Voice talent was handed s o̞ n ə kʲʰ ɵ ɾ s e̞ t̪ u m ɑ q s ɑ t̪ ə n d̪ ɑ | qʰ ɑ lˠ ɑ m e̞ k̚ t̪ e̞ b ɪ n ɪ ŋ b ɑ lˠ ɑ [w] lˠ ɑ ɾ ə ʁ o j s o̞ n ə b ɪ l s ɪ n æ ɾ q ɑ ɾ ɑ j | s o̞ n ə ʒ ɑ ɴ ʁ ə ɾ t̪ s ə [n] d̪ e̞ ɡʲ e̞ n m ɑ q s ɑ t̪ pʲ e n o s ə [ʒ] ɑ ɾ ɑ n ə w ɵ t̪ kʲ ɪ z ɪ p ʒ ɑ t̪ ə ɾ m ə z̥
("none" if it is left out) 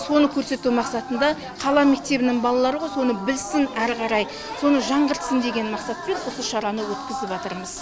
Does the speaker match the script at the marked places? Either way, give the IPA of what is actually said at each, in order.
none, n, ʃ

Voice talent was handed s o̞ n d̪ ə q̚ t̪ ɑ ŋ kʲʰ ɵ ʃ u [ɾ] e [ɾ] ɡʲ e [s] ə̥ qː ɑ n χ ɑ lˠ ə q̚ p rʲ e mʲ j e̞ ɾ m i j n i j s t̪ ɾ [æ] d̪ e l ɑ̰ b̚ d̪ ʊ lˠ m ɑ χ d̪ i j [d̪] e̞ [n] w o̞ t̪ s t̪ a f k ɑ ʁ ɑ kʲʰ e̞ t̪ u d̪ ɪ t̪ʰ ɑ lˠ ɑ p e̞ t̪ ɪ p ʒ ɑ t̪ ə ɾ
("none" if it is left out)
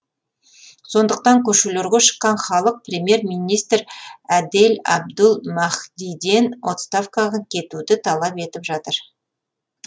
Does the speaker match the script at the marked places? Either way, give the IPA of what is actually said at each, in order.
l, ɾ, ʃ, æ, d̪, n

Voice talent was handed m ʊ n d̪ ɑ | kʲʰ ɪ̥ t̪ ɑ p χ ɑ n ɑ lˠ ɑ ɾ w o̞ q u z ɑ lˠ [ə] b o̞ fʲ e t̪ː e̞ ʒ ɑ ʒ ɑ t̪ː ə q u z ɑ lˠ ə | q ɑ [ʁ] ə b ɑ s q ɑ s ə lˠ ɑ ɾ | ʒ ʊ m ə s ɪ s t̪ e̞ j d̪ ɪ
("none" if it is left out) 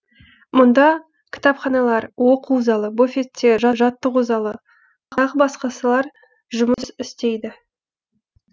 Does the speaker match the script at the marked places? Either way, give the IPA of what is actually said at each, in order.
ə, ʁ

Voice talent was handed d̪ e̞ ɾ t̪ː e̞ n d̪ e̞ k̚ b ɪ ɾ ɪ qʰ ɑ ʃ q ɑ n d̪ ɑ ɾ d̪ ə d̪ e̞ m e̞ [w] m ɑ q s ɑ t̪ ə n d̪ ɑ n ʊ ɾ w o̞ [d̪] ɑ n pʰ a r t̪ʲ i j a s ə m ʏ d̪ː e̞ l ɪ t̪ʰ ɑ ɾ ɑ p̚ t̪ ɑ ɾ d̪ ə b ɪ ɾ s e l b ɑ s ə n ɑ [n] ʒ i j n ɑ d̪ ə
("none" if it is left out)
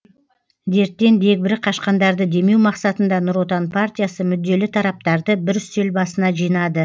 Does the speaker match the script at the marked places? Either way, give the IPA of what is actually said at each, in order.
w, t̪, none

